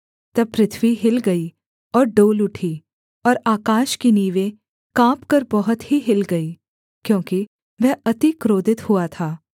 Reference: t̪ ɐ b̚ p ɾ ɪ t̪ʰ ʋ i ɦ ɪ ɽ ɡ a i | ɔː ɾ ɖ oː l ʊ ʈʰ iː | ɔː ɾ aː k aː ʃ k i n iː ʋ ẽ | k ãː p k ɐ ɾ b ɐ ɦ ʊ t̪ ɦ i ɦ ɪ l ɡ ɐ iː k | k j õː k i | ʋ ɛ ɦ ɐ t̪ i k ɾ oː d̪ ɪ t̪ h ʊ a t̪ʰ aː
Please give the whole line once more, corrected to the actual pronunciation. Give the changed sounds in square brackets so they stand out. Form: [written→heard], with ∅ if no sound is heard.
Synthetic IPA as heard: t̪ ɐ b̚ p ɾ ɪ t̪ʰ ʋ i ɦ ɪ [ɽ→l] ɡ [a→ɐ] i | ɔː ɾ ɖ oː l ʊ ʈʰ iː | ɔː ɾ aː k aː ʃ k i n iː ʋ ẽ | k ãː p k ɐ ɾ b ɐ ɦ ʊ t̪ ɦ i ɦ ɪ l ɡ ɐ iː [k→∅] | k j õː k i | ʋ ɛ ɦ ɐ t̪ i k ɾ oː d̪ ɪ t̪ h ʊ a t̪ʰ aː